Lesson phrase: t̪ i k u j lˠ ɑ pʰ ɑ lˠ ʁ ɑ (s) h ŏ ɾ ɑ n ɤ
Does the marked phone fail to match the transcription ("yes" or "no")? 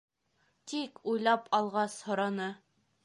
no